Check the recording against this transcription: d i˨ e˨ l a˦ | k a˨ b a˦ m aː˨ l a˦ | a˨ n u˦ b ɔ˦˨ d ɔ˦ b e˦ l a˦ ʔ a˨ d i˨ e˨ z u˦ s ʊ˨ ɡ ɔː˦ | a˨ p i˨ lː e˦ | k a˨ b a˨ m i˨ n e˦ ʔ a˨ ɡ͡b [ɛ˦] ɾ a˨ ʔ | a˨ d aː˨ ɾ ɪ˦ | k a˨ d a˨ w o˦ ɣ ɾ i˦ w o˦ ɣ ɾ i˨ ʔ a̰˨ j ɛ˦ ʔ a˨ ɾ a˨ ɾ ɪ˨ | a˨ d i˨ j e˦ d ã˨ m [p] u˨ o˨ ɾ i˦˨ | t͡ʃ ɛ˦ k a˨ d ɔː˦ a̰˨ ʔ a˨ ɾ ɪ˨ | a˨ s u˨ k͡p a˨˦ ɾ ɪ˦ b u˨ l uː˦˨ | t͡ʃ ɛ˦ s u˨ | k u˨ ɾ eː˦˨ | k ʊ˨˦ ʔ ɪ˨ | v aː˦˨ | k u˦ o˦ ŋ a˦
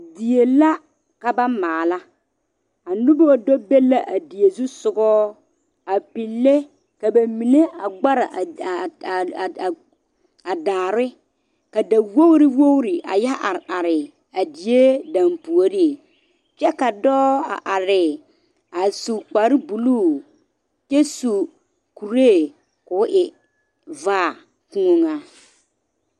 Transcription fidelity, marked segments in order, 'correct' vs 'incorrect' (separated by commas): incorrect, correct